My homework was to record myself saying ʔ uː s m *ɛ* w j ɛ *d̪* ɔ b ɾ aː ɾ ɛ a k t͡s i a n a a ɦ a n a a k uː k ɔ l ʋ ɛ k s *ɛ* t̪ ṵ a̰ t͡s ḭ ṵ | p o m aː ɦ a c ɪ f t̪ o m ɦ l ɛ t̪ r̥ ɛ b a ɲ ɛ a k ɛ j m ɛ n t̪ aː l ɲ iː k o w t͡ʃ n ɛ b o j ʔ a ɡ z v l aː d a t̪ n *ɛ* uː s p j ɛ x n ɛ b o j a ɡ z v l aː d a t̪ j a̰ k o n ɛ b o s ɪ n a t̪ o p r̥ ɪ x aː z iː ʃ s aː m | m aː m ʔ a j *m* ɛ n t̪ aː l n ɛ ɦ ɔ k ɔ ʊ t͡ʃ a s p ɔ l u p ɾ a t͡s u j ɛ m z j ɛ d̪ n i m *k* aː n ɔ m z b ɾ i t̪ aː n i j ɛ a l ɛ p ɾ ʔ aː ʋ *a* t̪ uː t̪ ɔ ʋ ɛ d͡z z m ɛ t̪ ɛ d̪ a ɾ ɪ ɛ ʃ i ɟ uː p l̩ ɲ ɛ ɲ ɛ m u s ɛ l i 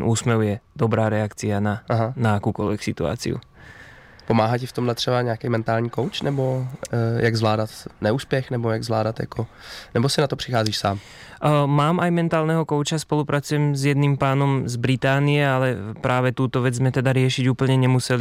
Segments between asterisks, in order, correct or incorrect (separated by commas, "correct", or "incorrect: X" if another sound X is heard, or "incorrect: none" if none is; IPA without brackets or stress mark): correct, correct, incorrect: i, correct, correct, incorrect: p, incorrect: ɛ